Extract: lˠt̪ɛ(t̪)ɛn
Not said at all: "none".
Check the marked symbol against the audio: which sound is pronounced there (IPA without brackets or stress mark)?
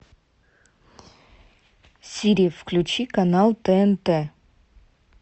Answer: none